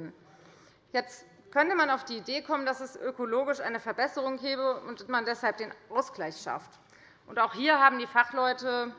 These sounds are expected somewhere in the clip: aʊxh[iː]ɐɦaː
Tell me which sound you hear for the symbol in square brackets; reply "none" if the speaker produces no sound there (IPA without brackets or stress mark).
iː